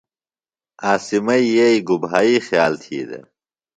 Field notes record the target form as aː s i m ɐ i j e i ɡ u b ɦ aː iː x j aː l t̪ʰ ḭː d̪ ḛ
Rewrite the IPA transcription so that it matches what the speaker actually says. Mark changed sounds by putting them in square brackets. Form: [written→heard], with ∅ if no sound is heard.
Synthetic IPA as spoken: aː s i m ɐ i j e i ɡ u b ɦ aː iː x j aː l t̪ʰ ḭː d̪ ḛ